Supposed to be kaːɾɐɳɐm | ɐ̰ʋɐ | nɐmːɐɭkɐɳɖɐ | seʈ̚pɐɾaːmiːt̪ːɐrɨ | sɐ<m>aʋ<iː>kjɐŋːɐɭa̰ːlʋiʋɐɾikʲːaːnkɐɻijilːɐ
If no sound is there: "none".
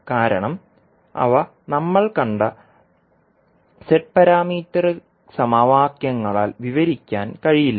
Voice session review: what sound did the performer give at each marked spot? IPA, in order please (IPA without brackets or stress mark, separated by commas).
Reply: m, aː